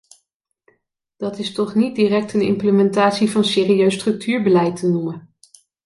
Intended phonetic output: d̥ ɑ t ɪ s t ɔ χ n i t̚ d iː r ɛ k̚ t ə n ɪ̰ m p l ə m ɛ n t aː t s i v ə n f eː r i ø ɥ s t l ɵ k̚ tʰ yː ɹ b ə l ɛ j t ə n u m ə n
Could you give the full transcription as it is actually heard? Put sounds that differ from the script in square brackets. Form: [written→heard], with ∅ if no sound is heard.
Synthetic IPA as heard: d̥ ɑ t ɪ s t ɔ χ n i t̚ d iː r ɛ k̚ t ə n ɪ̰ m p l ə m ɛ n t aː t s i v [ə→ɑ] n [f→s] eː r i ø ɥ s t [l→r] ɵ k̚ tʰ yː ɹ b ə l ɛ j t ə n u m ə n